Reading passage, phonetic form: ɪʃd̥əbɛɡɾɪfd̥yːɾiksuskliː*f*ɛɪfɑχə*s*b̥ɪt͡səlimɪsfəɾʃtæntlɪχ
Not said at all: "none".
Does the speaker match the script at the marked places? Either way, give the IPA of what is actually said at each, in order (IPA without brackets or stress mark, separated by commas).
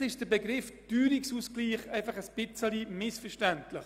χ, s